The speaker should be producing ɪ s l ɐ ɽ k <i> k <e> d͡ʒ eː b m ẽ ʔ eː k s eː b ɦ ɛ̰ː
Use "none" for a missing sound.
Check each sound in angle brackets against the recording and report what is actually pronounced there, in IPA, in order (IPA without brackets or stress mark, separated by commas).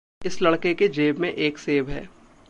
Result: e, e